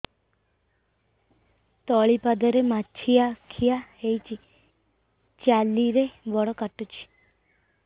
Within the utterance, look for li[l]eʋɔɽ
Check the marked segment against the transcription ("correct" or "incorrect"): incorrect